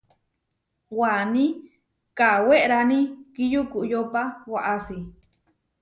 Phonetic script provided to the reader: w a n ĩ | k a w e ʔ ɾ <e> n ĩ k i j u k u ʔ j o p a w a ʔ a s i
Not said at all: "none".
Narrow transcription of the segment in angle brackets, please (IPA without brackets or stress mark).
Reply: a